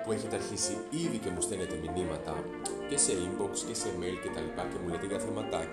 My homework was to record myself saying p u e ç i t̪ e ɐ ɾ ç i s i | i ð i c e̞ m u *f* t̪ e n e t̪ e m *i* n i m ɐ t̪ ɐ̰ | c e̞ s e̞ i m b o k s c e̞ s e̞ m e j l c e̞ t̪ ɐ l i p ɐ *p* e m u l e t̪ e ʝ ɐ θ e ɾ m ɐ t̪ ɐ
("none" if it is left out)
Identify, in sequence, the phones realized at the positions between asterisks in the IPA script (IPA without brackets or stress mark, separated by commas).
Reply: s, i, c